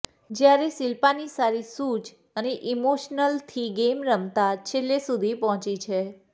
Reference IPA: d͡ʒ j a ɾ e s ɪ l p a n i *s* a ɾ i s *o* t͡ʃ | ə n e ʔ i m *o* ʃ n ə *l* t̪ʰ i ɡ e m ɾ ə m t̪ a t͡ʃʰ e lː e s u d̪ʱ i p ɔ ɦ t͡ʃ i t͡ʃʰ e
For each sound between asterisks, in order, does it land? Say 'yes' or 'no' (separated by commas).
yes, no, yes, yes